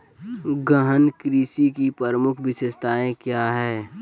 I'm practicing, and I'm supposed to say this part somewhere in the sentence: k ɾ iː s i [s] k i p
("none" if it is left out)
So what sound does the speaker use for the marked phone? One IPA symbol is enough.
none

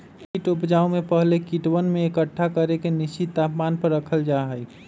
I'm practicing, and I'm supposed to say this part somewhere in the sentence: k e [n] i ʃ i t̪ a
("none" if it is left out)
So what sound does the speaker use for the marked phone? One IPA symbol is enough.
n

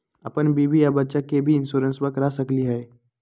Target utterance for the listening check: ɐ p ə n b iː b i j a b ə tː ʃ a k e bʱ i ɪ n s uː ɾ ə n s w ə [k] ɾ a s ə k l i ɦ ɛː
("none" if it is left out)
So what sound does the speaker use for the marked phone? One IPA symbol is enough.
k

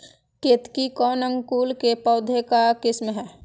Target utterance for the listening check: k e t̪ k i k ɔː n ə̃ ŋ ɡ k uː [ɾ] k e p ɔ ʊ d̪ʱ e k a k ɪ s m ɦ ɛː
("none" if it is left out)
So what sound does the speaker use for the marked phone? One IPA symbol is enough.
l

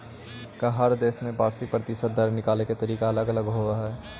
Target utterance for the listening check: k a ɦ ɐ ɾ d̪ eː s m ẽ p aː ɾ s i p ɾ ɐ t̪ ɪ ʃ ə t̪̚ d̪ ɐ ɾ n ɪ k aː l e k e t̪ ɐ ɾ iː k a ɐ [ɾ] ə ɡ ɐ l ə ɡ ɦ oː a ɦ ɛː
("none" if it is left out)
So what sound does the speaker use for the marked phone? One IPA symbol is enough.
l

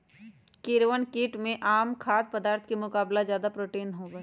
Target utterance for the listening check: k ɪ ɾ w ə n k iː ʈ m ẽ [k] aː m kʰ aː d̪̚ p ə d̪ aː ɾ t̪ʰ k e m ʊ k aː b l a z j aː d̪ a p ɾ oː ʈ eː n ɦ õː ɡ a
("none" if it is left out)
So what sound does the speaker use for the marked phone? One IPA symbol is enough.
ʔ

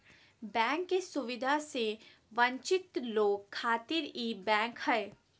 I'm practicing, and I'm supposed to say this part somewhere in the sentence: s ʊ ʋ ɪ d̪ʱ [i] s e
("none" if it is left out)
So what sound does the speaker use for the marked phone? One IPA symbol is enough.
a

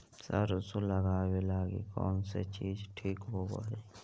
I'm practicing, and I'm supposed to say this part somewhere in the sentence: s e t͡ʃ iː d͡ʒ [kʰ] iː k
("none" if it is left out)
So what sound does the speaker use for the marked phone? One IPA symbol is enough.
ʈʰ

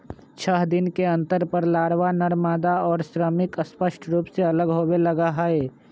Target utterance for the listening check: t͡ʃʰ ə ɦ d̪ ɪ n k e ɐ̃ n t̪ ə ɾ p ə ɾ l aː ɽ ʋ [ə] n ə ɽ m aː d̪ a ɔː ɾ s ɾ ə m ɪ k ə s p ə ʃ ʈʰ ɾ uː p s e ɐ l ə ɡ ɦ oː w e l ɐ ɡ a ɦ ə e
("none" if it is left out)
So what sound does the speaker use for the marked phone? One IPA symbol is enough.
a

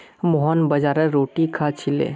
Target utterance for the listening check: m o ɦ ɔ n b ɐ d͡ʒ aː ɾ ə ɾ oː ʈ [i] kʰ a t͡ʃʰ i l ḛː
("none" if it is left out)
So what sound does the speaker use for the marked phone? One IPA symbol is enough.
i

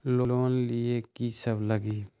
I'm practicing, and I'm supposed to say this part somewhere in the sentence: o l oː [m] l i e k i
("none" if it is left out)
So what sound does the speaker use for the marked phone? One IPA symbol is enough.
n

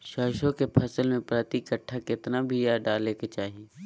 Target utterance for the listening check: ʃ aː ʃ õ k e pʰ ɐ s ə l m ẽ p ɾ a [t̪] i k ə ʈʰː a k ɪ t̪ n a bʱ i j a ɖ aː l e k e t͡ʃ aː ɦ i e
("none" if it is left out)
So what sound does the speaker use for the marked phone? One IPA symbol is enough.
t̪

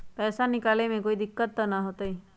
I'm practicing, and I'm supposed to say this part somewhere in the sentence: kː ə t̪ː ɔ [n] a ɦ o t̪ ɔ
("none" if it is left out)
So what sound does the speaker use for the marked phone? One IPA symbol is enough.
n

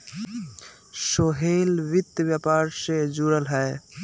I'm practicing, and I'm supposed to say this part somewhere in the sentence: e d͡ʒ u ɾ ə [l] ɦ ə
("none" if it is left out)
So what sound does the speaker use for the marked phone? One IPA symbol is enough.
l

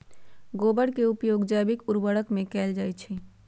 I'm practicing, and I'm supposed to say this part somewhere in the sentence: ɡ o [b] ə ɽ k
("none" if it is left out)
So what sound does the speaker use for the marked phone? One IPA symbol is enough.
b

